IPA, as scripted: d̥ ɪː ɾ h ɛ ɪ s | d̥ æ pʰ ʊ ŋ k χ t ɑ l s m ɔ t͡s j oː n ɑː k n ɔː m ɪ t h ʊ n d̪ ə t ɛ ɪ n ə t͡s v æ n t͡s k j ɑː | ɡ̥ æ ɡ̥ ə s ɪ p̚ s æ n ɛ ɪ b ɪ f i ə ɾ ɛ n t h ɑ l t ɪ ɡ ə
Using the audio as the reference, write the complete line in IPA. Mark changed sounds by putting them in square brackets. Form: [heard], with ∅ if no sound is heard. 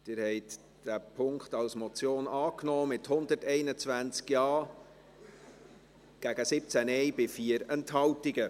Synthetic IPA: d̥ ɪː ɾ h ɛ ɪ [t] | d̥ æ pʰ ʊ ŋ k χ t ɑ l s m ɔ t͡s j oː n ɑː k n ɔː m ɪ t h ʊ n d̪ ə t ɛ ɪ n ə t͡s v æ n t͡s k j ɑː | ɡ̥ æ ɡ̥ ə s ɪ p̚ [t͡s] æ n ɛ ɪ b ɪ f i ə ɾ ɛ n t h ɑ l t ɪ ɡ ə